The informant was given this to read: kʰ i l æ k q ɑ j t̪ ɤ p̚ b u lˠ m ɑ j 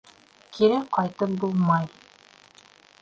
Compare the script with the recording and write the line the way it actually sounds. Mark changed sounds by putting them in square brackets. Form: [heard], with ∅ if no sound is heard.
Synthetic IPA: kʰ i [ɾ] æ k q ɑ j t̪ ɤ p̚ b u lˠ m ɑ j